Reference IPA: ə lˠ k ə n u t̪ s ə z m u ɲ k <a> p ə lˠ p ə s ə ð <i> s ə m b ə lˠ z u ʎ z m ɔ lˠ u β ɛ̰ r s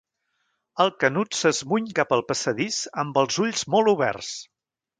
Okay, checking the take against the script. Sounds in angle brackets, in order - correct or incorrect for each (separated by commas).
correct, correct